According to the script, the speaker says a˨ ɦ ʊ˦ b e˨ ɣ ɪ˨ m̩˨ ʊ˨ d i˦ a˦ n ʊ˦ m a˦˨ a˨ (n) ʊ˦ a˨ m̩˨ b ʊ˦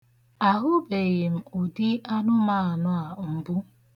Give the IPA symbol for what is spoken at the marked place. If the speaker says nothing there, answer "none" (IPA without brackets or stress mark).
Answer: n